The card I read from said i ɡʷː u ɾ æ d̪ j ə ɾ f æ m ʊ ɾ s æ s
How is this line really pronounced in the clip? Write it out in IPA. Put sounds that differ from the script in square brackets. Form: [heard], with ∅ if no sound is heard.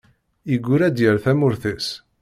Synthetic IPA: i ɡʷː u ɾ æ d̪ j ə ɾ [θ] æ m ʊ ɾ [θ] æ s